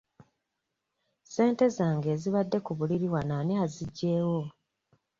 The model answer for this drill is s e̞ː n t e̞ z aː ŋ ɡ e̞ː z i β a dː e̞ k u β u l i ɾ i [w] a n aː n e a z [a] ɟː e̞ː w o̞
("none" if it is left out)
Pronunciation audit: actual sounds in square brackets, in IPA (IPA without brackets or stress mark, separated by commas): w, i